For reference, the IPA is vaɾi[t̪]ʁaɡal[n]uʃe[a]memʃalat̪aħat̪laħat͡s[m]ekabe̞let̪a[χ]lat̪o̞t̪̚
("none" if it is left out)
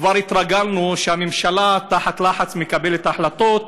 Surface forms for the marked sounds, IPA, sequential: t̪, n, a, m, ħ

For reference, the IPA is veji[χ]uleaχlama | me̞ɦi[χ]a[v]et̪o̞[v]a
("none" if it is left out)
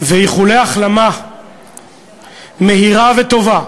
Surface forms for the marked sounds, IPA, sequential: χ, ʁ, v, v

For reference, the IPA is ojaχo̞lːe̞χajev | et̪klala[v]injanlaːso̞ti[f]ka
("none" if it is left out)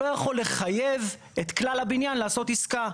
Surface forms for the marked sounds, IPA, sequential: b, s

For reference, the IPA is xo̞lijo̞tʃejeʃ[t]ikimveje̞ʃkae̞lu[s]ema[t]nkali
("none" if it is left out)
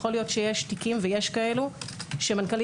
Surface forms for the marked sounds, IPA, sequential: t, ʃ, none

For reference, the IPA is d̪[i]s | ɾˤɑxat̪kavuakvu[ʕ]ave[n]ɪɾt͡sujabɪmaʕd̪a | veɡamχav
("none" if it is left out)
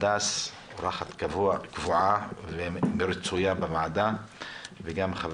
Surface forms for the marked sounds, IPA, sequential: a, ʕ, m

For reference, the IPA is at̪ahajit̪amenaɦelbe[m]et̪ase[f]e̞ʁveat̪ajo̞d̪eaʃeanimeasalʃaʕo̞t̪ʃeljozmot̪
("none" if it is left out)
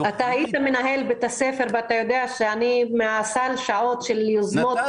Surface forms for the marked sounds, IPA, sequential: none, f

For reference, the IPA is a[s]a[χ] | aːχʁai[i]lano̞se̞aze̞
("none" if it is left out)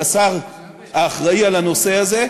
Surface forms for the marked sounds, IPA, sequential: s, ʁ, a

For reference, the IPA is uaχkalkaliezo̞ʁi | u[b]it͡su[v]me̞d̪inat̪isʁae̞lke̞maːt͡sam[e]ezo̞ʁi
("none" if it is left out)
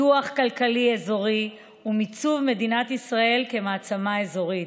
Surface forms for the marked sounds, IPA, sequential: m, v, a

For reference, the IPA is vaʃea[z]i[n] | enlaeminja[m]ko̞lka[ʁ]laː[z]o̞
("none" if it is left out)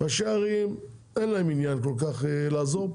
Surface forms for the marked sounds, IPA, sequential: ʁ, m, n, χ, z

